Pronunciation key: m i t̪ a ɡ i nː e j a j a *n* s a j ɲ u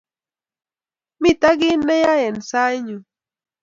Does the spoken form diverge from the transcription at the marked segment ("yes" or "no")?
no